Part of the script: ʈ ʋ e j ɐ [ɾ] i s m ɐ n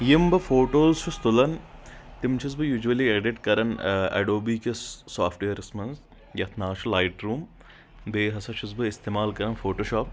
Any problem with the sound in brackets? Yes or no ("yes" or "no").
no